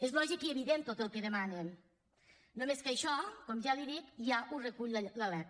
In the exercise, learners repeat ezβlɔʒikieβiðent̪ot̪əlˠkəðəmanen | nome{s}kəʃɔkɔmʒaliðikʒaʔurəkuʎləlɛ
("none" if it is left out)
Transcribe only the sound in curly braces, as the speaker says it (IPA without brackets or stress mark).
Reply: s